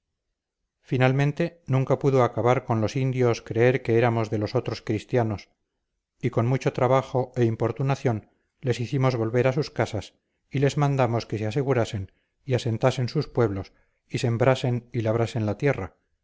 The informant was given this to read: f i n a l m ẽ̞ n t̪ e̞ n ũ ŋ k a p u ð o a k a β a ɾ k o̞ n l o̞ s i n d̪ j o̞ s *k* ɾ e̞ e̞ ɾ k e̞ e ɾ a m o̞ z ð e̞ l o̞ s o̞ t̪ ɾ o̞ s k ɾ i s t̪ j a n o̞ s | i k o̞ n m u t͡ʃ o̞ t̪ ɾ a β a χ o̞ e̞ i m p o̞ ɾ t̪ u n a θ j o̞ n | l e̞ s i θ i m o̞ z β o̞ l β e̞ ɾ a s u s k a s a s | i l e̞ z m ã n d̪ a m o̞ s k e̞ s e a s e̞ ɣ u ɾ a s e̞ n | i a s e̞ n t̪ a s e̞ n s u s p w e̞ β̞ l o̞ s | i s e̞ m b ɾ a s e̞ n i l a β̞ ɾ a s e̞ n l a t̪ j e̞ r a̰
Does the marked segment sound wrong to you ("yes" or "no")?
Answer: no